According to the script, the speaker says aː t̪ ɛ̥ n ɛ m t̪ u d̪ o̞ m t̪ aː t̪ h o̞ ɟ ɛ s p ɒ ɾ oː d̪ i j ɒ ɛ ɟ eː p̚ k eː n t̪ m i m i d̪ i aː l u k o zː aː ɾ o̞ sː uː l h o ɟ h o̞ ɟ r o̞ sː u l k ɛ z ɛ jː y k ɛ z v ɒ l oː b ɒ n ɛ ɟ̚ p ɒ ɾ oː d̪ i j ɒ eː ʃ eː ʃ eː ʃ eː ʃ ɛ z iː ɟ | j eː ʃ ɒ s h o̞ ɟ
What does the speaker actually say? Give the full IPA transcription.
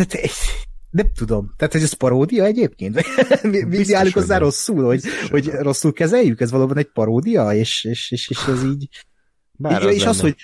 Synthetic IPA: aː t̪ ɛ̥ n ɛ m t̪ u d̪ o̞ m t̪ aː t̪ h o̞ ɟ ɛ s p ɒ ɾ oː d̪ i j ɒ ɛ ɟ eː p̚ k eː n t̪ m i m i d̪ i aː l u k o zː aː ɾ o̞ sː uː l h o ɟ h o̞ ɟ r o̞ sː u l k ɛ z ɛ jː y k ɛ z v ɒ l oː b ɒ n ɛ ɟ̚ p ɒ ɾ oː d̪ i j ɒ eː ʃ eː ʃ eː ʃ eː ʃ ɛ z iː ɟ | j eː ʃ ɒ s h o̞ ɟ